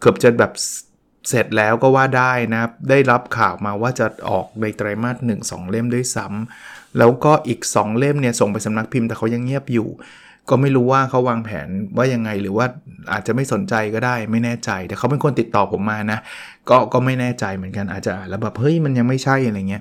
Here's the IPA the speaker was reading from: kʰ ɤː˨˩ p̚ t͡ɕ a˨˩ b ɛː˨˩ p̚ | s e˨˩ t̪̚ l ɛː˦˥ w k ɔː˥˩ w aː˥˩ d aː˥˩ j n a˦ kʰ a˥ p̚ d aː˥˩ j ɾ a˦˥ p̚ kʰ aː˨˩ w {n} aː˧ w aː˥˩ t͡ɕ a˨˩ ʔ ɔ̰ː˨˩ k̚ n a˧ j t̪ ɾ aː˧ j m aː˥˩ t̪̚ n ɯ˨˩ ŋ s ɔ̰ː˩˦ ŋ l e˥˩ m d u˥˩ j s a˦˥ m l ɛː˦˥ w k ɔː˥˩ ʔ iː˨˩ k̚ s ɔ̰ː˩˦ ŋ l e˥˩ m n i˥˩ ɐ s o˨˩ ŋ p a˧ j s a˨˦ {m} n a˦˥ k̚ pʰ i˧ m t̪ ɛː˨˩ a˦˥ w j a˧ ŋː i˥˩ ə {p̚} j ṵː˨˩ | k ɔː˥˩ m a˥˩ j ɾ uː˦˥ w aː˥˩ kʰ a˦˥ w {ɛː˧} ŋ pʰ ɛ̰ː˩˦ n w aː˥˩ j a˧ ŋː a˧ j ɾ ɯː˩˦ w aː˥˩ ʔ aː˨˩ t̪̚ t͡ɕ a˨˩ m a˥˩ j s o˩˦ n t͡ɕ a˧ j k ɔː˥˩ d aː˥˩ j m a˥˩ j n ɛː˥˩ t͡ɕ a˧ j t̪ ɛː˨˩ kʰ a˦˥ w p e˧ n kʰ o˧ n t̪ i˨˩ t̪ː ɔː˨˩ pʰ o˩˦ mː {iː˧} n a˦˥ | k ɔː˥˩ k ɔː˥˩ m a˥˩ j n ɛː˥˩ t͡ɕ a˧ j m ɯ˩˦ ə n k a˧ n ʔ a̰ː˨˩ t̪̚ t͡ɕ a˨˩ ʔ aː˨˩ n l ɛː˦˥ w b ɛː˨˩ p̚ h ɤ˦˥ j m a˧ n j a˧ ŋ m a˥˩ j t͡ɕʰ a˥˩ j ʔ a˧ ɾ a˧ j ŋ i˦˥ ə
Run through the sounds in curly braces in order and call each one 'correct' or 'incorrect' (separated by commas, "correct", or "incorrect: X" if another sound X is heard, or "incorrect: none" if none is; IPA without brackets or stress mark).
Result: incorrect: m, correct, correct, incorrect: aː˧, incorrect: aː˧